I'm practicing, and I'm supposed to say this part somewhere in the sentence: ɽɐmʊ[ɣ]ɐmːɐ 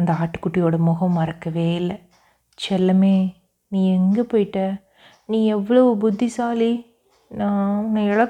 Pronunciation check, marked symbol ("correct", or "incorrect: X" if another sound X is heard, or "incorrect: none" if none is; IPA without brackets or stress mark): correct